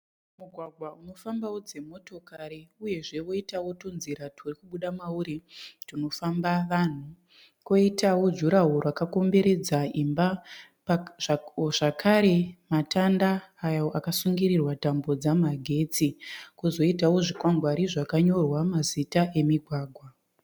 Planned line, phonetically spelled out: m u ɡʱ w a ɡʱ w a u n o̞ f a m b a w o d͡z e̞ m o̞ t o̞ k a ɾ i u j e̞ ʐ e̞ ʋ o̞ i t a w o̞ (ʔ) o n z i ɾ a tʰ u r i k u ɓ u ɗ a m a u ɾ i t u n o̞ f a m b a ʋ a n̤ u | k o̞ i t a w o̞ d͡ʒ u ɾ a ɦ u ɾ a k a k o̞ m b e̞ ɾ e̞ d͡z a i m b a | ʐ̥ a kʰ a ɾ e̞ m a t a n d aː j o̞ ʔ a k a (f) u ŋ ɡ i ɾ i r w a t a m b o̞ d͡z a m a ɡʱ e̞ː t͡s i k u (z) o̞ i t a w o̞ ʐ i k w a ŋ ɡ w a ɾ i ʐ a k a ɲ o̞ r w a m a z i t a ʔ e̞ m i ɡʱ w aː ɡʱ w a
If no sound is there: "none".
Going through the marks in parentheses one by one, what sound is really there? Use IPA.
t, s, z

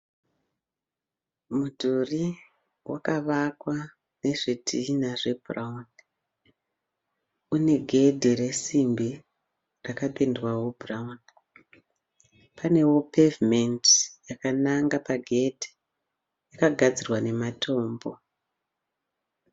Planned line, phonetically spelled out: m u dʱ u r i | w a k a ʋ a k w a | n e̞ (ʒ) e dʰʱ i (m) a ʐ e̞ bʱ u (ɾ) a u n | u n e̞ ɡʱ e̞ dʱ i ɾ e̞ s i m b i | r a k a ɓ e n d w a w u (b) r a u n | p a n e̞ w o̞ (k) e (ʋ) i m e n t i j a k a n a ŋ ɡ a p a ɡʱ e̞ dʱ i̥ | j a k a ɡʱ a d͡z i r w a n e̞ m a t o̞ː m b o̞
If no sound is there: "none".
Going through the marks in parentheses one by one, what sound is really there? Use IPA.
ʐ, n, r, b, p, v

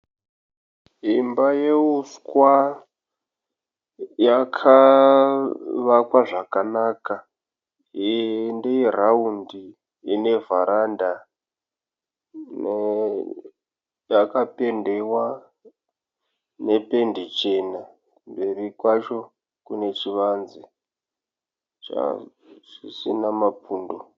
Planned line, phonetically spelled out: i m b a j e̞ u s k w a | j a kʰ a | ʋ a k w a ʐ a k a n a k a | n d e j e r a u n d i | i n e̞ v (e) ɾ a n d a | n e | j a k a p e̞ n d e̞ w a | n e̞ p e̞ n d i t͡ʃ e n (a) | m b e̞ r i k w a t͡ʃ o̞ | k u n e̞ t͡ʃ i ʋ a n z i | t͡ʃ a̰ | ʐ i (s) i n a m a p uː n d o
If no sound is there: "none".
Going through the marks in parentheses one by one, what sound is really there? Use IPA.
a, a, s

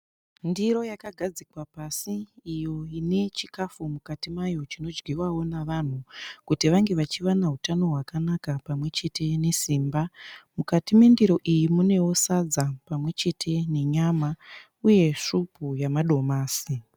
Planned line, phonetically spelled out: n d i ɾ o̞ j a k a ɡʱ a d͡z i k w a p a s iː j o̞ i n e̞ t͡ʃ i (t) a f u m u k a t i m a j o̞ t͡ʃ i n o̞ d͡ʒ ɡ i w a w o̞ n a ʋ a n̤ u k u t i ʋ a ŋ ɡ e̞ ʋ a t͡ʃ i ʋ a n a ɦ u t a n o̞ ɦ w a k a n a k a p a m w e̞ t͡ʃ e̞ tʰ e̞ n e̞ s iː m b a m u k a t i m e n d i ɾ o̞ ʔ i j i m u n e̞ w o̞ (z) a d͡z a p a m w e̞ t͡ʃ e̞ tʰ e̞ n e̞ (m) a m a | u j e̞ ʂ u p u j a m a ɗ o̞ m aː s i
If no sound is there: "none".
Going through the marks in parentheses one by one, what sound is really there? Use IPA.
k, s, ɲ

